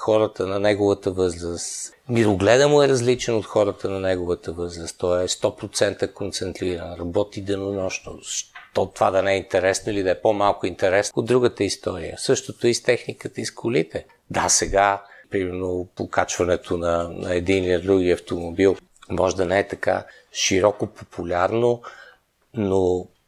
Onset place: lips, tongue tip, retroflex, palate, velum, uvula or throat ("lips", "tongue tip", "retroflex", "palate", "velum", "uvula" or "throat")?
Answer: velum